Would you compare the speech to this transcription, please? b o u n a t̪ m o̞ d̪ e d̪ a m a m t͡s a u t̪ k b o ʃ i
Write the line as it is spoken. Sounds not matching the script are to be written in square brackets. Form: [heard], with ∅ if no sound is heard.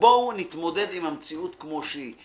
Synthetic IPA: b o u n [i] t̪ m o̞ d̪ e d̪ [i] m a m t͡s [i] u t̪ k [m] o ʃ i